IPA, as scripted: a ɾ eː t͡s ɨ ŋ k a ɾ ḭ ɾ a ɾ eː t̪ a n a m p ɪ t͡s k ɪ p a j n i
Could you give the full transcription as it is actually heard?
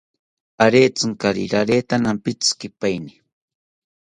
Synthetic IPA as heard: a ɾ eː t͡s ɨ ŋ k a ɾ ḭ ɾ a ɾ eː t̪ a n a m p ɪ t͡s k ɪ p a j n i